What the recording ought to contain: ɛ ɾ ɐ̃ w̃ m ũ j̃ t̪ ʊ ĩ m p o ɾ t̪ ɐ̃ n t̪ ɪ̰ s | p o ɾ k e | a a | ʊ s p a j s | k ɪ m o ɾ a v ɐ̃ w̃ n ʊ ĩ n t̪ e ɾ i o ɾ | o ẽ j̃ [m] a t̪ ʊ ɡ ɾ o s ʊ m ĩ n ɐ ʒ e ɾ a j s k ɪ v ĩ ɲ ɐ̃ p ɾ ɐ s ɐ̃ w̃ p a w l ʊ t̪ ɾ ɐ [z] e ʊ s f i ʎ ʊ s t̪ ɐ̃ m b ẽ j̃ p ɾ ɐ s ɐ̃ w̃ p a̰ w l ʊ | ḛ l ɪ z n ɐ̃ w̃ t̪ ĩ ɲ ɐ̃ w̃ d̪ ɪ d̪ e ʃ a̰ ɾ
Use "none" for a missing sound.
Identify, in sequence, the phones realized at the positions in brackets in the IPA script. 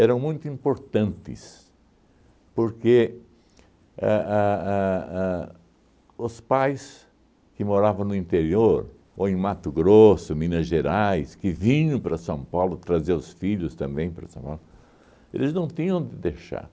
m, z

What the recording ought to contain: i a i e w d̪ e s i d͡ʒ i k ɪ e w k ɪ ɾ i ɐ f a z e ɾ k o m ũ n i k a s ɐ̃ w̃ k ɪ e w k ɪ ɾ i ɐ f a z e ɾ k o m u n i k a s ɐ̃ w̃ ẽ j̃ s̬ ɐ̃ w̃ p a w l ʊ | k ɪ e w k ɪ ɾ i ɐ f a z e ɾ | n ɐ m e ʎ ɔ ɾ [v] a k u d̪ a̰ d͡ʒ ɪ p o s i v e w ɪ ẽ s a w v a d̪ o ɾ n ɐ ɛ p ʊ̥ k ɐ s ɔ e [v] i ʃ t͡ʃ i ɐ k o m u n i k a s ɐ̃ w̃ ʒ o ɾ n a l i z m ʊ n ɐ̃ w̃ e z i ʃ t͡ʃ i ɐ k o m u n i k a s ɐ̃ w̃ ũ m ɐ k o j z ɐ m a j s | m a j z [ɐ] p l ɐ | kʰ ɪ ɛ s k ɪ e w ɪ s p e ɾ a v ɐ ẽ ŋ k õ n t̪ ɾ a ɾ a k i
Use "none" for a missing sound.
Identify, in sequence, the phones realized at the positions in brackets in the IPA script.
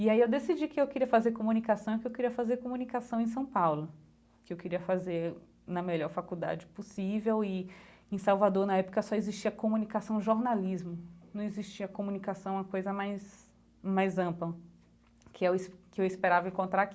f, z, ɐ̃

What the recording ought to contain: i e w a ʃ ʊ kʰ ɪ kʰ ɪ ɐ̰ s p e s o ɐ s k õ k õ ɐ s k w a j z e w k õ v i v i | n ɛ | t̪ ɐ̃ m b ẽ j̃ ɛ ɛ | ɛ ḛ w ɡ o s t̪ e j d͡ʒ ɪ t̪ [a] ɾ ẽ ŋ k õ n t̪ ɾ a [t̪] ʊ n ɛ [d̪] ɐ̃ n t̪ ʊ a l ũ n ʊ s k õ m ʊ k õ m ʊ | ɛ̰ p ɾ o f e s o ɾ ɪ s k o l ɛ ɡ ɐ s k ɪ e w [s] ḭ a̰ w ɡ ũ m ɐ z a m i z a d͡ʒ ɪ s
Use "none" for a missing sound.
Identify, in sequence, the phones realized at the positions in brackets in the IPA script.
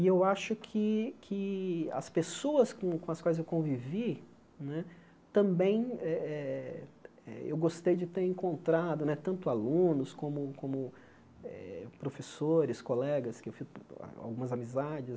e, d̪, t̪, f

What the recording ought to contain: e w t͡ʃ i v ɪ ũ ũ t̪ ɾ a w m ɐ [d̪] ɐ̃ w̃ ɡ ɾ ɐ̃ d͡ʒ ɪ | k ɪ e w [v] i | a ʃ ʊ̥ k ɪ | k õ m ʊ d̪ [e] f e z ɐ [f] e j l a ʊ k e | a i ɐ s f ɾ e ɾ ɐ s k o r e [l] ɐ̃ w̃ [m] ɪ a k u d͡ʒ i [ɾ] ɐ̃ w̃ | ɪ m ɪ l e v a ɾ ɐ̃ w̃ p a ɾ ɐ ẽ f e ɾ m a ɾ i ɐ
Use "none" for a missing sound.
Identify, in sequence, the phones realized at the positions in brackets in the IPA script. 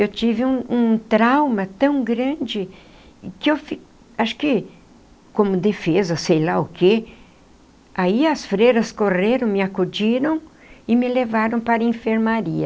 t̪, f, e, s, ɾ, m, ɾ

